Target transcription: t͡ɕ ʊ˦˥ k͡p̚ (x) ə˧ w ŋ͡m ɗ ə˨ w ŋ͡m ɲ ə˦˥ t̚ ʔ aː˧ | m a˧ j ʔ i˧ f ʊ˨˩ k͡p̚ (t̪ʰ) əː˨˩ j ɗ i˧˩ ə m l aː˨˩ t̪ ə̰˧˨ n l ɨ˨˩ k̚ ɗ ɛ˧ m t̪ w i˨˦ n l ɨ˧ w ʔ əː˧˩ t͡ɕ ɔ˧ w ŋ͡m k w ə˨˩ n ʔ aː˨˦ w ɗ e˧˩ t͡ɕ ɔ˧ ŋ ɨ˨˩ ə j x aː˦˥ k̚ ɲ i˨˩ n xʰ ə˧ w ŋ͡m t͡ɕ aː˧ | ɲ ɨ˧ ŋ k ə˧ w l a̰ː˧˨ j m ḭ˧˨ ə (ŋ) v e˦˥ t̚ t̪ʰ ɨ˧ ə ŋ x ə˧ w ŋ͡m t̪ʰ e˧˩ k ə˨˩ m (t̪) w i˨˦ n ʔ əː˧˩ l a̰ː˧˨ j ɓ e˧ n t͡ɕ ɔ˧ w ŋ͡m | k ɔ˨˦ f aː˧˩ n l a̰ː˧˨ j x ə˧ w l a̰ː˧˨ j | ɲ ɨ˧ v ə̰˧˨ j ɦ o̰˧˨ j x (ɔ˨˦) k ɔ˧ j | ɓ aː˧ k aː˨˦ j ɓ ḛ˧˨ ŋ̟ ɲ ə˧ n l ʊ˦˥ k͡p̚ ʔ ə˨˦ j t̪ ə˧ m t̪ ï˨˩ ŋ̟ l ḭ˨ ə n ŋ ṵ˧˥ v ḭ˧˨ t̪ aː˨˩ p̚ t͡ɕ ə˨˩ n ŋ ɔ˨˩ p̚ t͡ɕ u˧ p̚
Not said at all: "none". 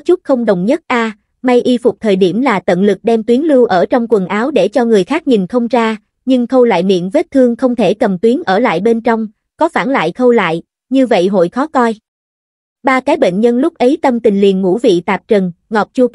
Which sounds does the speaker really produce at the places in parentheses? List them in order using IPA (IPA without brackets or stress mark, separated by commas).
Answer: x, t̪ʰ, n, t̪, ɔ˨˦